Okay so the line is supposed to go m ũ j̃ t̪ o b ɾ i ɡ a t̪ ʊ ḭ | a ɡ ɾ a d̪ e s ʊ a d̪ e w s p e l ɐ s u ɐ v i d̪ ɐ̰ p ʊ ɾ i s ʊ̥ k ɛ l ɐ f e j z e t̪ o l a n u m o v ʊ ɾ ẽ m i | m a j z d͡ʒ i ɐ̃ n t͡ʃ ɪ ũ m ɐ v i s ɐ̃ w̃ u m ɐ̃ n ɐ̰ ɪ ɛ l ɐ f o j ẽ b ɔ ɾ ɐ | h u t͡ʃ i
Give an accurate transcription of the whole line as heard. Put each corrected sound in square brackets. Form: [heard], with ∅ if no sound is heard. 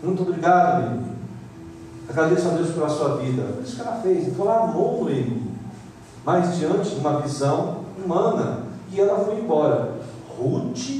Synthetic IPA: m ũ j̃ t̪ o b ɾ i ɡ a [d̪] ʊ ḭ | a ɡ ɾ a d̪ e s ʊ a d̪ e w s p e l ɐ s u ɐ v i d̪ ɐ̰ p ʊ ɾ i s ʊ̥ k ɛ l ɐ f e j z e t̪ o l a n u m o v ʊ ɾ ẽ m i | m a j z d͡ʒ i ɐ̃ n t͡ʃ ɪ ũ m ɐ v i [z] ɐ̃ w̃ u m ɐ̃ n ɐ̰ ɪ ɛ l ɐ f o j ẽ b ɔ ɾ ɐ | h u t͡ʃ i